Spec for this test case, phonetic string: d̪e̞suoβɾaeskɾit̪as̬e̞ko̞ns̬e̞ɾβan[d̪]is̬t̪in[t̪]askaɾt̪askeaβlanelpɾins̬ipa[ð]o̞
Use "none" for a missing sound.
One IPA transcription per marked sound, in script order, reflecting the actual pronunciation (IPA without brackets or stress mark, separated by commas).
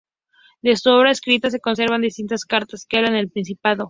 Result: d̪, t̪, ð